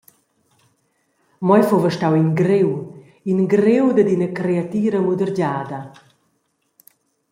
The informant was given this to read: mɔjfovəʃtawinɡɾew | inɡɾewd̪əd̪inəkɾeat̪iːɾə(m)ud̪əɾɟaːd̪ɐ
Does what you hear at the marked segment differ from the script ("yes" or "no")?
no